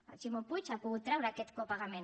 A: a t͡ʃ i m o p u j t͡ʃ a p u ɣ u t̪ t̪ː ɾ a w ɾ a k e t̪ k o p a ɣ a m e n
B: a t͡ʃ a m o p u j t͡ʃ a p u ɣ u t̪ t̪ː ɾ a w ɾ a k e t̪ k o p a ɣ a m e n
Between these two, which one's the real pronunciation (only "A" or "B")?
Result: A